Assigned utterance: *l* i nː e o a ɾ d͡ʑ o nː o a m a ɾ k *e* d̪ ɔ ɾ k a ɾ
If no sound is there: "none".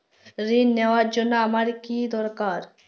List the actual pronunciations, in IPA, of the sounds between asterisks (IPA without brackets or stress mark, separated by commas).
ɾ, i